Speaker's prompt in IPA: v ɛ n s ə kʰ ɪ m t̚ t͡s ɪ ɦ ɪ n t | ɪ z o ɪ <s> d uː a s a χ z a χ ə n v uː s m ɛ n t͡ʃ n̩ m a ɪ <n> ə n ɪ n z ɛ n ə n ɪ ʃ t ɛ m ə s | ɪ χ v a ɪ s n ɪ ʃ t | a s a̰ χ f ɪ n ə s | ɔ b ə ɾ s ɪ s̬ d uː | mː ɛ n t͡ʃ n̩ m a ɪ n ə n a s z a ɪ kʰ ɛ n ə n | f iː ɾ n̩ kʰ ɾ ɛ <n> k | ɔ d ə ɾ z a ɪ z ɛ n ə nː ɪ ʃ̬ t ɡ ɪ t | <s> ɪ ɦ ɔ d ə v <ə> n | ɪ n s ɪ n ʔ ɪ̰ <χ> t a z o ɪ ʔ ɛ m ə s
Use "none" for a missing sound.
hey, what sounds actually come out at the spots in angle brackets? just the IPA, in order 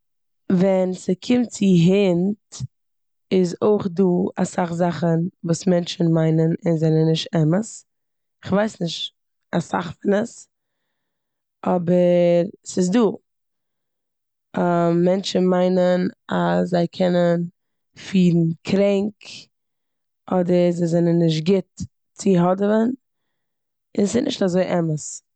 χ, n, ŋ, t͡s, ə, ʃ

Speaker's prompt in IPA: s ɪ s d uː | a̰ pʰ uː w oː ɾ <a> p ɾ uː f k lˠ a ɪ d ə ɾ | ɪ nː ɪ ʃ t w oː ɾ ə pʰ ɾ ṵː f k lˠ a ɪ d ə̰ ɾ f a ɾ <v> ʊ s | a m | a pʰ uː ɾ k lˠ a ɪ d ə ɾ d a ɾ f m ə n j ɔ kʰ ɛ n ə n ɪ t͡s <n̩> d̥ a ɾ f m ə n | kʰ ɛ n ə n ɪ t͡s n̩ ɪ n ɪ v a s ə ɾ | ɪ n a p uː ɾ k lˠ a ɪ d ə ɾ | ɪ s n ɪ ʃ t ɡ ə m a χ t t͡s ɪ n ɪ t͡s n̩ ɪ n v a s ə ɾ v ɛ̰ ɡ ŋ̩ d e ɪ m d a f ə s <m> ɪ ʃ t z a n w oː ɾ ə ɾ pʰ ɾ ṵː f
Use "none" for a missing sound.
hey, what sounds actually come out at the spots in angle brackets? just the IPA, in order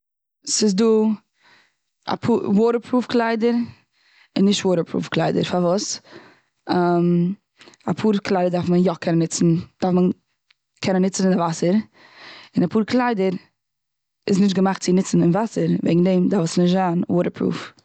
ə, v, n̩, n

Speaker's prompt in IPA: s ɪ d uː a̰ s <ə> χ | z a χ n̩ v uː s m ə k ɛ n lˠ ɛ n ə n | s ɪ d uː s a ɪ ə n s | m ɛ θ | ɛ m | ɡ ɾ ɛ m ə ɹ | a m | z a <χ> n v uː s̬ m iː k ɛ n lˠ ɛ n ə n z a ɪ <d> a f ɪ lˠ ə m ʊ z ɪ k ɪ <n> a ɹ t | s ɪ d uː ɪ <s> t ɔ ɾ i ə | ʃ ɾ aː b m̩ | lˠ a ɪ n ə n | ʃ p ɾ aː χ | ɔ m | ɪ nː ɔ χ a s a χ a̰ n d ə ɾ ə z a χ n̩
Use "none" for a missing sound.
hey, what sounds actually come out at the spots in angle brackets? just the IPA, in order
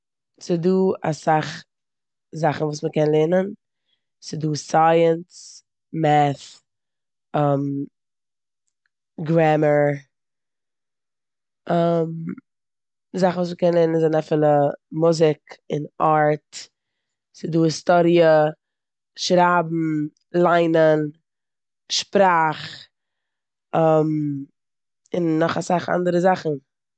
a, χ, n, n, s

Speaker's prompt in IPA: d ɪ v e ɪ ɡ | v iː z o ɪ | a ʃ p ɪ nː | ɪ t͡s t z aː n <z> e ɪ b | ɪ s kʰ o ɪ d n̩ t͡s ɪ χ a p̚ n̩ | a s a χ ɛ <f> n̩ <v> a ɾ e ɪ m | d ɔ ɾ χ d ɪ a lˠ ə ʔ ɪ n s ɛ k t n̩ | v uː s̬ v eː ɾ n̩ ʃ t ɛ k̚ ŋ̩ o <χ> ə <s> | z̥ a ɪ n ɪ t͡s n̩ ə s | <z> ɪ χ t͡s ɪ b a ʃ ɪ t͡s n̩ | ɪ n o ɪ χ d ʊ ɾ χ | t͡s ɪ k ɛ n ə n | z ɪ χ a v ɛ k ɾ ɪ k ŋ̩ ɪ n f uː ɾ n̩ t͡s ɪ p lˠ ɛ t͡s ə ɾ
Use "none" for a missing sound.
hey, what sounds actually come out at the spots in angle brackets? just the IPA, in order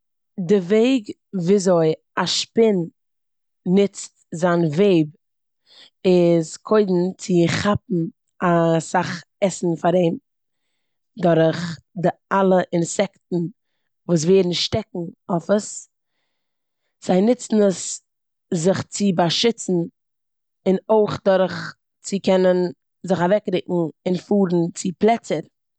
v, s, f, f, s, z

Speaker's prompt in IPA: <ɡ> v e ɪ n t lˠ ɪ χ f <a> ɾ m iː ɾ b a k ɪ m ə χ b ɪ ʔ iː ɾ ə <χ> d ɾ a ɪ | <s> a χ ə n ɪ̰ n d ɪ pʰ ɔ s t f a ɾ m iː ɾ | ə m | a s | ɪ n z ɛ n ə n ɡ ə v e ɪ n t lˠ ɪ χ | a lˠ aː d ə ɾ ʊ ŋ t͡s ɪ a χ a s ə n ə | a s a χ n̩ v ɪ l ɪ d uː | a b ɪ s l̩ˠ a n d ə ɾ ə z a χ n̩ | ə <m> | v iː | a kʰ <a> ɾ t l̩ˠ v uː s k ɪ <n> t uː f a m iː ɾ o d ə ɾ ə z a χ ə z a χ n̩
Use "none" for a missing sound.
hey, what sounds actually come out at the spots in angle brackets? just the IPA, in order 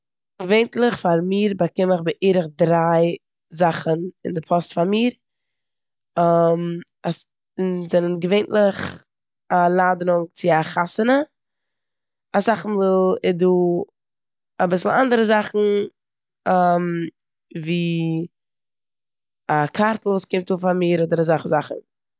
ɡ, a, χ, z, m, a, m

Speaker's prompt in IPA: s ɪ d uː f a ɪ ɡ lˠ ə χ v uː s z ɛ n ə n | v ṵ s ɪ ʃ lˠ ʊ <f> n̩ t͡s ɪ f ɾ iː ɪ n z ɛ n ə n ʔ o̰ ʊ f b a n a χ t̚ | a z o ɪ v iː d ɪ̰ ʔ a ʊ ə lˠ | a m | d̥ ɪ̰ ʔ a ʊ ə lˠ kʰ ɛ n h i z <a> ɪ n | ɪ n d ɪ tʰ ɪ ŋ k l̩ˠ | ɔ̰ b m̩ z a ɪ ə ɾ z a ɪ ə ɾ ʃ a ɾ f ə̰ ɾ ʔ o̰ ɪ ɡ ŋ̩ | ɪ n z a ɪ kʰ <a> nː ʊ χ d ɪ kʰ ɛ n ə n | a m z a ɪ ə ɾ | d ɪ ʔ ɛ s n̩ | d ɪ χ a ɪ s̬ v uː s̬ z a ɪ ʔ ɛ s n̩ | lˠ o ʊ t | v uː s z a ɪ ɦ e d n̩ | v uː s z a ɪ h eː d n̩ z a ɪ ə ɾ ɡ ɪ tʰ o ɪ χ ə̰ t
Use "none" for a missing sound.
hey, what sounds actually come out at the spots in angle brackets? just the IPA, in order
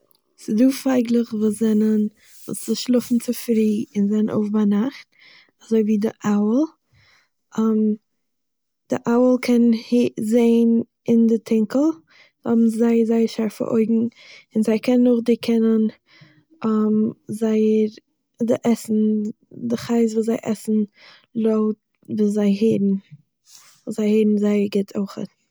f, e, ɛ

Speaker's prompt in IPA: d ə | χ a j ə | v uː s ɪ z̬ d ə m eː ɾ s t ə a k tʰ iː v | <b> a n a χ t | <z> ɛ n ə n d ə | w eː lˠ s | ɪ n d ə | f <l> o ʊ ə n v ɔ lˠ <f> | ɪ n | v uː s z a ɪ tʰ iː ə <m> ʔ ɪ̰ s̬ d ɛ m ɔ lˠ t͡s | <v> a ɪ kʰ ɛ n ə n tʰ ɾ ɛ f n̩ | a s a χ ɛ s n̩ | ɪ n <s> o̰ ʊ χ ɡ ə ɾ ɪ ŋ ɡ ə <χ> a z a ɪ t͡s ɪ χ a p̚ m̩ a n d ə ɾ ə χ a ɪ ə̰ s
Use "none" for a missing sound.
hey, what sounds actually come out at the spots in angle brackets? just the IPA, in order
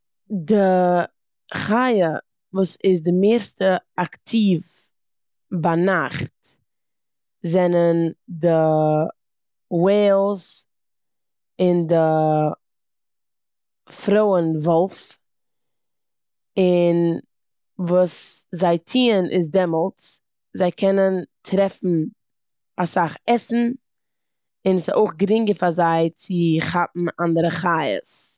b, z, ɾ, f, n, z, s, f

